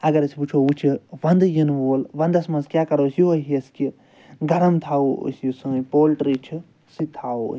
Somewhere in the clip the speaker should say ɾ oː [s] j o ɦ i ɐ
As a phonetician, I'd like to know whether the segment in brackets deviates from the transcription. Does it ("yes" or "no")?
no